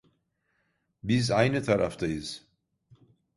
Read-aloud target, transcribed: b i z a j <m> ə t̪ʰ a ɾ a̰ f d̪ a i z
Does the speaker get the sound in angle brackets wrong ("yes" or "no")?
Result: yes